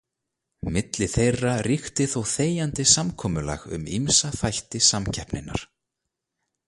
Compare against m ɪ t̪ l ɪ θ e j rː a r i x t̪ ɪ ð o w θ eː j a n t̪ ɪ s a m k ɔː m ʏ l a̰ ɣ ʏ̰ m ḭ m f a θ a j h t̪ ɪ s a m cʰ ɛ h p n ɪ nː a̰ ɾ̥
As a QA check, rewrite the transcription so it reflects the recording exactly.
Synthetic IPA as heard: m ɪ t̪ l ɪ θ e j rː a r i x t̪ ɪ θ o w θ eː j a n t̪ ɪ s a m kʰ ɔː m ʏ l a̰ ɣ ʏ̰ m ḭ m s a θ a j h t̪ ɪ s a m cʰ ɛ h p n ɪ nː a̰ ɾ̥